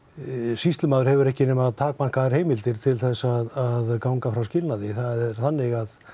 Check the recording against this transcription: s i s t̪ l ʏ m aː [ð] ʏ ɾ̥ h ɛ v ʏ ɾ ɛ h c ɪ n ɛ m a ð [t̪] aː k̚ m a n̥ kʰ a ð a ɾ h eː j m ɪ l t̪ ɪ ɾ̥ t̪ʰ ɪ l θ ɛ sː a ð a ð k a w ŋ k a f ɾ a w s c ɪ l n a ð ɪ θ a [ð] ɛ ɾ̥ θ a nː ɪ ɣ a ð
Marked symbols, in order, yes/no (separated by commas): yes, no, yes